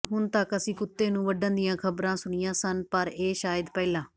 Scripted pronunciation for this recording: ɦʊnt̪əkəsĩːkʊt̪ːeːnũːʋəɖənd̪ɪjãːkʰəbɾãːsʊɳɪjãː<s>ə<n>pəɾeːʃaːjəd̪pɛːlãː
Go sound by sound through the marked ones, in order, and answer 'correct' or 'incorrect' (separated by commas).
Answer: correct, correct